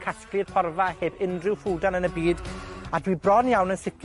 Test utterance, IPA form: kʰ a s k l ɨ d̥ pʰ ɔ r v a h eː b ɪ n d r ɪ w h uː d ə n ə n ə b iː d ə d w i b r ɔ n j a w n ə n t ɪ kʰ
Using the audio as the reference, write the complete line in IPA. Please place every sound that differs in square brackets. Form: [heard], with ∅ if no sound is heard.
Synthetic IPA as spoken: kʰ a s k l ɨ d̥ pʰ ɔ r v a h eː b ɪ n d r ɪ w [f] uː d [a] n ə n ə b iː d [a] d w i b r ɔ n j a w n ə n [s] ɪ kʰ